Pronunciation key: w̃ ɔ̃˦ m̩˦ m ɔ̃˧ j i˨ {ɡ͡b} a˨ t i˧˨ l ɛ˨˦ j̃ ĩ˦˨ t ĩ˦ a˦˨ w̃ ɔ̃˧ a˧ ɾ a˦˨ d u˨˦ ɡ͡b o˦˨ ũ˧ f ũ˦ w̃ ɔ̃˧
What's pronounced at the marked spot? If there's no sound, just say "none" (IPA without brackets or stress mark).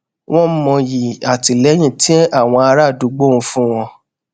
none